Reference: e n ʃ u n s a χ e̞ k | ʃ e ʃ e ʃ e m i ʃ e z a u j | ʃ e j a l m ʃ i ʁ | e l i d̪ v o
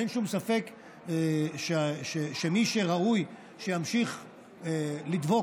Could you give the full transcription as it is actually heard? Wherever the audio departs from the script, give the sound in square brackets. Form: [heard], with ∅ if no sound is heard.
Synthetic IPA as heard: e n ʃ u [m] s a [f] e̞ k | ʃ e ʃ e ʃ e m i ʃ e [ʁ] a u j | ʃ e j a [∅] m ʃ i [χ] | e l i d̪ v o